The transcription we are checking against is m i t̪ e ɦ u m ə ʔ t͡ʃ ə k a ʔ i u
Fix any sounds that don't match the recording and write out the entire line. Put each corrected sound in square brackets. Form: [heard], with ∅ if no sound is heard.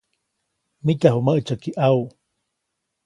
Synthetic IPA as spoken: m i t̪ [a] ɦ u m ə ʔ t͡ʃ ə k [i] ʔ [a] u